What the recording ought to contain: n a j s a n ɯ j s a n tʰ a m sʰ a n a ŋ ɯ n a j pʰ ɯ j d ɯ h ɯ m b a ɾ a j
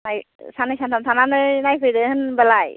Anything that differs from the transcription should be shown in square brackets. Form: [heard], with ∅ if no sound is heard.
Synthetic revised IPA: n a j s a n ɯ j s a n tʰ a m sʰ a n a [n] ɯ n a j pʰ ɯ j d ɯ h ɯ [n] b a [l] a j